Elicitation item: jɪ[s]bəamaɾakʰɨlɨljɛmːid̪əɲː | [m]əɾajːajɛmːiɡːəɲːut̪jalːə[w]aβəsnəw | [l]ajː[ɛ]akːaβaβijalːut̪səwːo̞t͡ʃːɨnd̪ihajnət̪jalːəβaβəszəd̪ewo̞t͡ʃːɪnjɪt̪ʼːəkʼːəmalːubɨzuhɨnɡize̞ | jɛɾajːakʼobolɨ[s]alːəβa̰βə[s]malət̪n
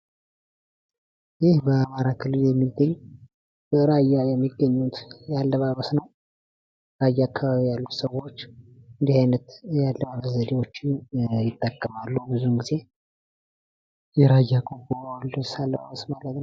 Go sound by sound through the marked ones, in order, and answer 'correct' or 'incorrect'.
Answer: incorrect, incorrect, incorrect, incorrect, incorrect, correct, correct

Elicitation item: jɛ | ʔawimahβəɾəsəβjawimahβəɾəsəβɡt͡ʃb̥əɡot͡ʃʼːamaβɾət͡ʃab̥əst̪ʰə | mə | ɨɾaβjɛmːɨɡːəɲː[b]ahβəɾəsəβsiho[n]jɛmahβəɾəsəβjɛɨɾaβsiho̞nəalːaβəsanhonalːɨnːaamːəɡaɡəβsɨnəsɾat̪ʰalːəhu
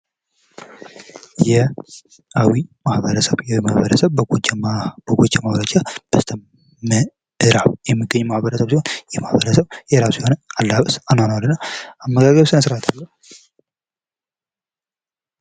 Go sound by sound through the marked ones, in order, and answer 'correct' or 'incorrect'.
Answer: incorrect, correct

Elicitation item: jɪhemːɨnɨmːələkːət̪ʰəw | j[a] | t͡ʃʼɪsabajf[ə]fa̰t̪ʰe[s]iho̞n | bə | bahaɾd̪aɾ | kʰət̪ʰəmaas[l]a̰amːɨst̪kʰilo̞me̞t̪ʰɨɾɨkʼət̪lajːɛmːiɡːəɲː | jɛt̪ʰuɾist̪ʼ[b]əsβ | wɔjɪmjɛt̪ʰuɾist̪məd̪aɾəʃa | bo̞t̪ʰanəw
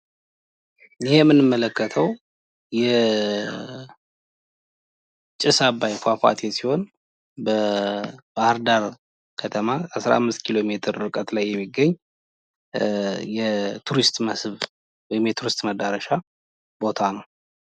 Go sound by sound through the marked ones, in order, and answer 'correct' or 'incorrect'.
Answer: incorrect, incorrect, correct, incorrect, incorrect

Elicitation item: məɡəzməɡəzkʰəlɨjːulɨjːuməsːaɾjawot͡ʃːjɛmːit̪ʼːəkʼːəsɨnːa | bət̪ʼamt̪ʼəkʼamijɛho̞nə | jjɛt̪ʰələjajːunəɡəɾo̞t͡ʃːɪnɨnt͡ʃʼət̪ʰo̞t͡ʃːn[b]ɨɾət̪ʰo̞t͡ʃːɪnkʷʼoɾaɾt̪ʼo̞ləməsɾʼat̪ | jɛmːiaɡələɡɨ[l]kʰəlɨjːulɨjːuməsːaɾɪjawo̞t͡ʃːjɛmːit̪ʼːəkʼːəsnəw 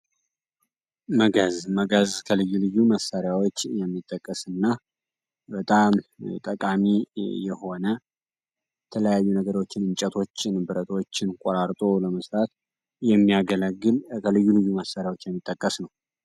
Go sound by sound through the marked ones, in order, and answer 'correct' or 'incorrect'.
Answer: correct, correct

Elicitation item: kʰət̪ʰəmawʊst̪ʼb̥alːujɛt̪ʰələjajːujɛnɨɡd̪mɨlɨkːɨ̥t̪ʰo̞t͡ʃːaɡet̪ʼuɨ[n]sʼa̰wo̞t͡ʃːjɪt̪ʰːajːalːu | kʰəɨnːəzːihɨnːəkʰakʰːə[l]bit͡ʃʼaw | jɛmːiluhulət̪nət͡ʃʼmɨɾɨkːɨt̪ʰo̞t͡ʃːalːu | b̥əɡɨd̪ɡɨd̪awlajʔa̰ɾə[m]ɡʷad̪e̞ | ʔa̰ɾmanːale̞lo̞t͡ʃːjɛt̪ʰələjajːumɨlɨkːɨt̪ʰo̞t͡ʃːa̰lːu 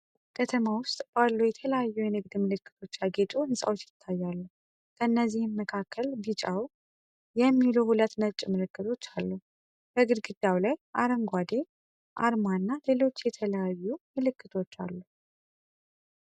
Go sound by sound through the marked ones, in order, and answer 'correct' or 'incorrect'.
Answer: correct, correct, incorrect

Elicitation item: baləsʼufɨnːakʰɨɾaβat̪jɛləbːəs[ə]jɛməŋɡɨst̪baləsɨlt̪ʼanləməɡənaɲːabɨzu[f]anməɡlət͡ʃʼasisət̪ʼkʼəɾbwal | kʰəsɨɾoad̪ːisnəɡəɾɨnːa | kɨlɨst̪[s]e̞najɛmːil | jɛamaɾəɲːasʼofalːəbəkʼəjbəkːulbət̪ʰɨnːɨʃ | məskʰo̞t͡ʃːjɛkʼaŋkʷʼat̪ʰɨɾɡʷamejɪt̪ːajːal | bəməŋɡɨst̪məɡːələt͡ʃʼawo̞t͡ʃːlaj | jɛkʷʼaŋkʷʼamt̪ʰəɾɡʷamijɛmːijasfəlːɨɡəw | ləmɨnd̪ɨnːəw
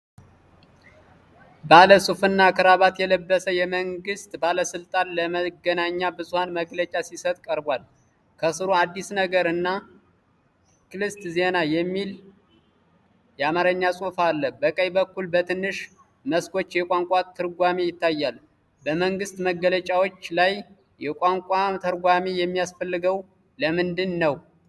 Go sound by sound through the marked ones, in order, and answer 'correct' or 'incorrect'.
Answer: correct, incorrect, incorrect

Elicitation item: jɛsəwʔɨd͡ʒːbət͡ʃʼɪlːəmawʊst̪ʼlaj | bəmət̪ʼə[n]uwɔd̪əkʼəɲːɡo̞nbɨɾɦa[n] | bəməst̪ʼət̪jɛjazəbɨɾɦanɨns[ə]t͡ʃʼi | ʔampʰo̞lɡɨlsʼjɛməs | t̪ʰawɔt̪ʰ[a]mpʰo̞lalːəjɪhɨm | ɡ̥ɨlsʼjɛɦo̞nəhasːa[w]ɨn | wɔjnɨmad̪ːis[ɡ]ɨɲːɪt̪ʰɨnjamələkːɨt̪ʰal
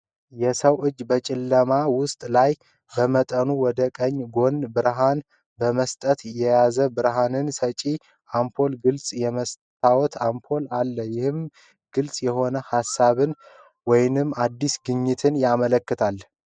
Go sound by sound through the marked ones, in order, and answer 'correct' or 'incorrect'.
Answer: correct, correct, correct, correct, incorrect, correct

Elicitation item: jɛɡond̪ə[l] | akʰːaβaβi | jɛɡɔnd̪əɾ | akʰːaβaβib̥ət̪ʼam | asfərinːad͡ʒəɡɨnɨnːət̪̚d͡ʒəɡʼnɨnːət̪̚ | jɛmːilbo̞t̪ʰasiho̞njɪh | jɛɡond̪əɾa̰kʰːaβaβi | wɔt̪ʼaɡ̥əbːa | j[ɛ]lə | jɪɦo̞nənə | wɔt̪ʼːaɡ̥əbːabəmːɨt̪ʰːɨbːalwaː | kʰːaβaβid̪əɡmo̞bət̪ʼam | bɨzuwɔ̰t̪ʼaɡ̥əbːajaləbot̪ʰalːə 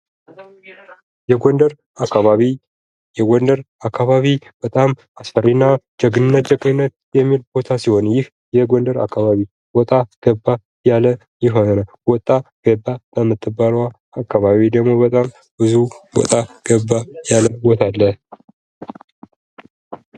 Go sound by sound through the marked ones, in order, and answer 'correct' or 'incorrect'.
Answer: incorrect, incorrect

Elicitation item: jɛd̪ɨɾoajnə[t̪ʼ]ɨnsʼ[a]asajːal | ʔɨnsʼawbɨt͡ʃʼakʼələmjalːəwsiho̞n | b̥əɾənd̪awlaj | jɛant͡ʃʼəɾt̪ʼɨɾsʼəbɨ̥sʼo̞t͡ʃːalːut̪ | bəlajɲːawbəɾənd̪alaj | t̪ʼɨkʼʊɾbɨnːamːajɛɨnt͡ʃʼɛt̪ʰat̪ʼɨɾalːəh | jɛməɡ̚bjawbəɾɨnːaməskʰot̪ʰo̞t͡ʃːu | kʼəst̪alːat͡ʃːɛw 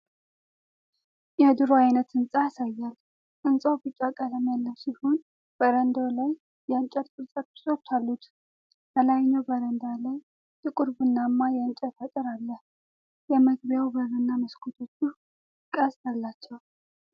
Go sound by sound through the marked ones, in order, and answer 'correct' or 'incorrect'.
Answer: incorrect, correct

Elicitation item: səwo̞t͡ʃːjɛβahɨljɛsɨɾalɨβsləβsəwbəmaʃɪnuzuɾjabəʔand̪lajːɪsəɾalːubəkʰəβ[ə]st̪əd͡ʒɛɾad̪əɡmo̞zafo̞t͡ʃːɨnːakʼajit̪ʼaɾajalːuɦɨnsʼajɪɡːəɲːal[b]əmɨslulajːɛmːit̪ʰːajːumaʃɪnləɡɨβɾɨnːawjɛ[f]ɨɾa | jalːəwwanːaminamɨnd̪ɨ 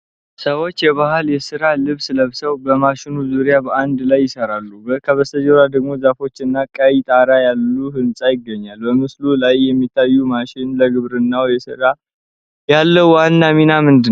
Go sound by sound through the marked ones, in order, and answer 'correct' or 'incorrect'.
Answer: correct, correct, incorrect

